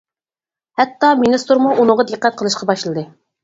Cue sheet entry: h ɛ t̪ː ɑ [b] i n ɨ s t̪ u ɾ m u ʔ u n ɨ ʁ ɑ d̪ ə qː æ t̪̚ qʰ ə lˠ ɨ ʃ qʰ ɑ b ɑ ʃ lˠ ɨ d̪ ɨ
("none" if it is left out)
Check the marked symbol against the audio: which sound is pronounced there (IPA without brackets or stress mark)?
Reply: m